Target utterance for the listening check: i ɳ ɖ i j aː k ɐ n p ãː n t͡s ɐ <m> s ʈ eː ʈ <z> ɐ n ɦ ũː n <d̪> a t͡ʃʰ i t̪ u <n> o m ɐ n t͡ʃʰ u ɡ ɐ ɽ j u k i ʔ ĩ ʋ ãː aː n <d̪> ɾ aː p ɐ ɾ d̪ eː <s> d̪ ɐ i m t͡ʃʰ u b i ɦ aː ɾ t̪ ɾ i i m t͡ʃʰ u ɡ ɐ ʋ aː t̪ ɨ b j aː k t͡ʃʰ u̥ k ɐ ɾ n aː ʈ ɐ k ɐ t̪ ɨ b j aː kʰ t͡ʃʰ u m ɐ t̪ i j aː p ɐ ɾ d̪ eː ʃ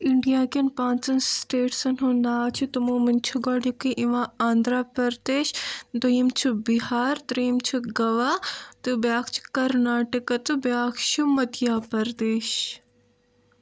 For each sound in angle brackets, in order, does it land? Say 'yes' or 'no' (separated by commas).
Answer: no, no, yes, no, yes, no